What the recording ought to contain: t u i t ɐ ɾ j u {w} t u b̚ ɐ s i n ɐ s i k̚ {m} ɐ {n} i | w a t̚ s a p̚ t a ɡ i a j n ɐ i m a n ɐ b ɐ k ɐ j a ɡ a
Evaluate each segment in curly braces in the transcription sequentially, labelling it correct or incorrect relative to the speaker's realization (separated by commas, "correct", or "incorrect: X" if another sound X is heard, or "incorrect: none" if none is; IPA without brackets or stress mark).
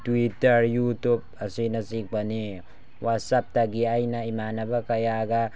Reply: incorrect: none, incorrect: b, correct